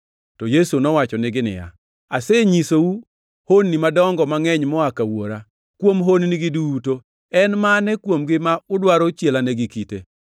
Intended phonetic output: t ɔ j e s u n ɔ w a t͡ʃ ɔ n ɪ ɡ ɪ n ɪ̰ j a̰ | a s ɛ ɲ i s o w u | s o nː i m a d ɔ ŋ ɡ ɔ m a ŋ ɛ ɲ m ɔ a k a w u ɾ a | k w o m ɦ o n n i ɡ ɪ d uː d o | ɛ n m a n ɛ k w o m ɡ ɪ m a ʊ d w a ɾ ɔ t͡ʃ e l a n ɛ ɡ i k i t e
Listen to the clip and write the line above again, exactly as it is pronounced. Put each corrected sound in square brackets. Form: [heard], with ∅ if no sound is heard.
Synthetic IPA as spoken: t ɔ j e s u n ɔ w a t͡ʃ ɔ n ɪ ɡ ɪ n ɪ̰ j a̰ | a s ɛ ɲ i s o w u | [h] o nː i m a d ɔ ŋ ɡ ɔ m a ŋ ɛ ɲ m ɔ a k a w [o] ɾ a | k w o m ɦ o n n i ɡ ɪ d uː [t] o | ɛ n m a n ɛ k w o m ɡ ɪ m a ʊ d w a ɾ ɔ t͡ʃ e l a n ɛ ɡ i k i t e